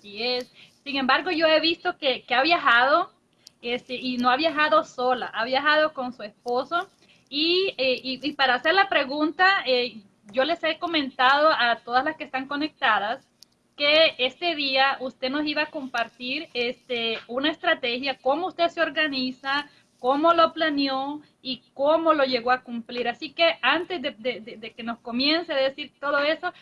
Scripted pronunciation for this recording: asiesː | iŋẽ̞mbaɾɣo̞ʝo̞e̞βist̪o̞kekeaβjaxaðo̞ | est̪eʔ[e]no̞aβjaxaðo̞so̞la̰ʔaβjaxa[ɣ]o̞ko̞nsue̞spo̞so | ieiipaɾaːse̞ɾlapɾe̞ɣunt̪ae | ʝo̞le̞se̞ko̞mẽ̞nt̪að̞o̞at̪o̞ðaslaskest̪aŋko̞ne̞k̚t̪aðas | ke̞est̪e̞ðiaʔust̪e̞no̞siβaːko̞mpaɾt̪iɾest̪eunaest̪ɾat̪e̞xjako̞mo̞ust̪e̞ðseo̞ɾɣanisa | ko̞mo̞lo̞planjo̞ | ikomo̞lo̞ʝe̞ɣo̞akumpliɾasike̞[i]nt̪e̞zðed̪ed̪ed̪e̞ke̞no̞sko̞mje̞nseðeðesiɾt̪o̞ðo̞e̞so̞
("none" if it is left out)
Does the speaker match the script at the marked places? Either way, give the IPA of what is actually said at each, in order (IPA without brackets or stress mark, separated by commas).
i, ð, a